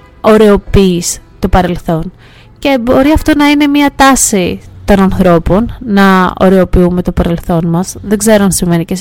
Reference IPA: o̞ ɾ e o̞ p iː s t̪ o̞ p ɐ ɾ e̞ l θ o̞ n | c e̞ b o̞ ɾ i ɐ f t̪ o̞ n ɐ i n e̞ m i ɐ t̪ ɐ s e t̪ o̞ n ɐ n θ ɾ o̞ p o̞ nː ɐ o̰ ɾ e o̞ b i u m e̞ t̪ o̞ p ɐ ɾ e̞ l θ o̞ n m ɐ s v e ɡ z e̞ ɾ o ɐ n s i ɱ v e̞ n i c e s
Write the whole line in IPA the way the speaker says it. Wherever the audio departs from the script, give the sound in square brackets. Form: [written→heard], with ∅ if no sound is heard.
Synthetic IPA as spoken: o̞ ɾ e o̞ p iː s t̪ o̞ p ɐ ɾ e̞ l θ o̞ n | c e̞ b o̞ ɾ i ɐ f t̪ o̞ n ɐ i n e̞ m i ɐ t̪ ɐ s [e→i] t̪ o̞ n ɐ n θ ɾ o̞ p o̞ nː ɐ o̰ ɾ e o̞ [b→p] i u m e̞ t̪ o̞ p ɐ ɾ e̞ l θ o̞ n m ɐ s [v→ð] e ɡ z e̞ ɾ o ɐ n s i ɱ v e̞ n i c e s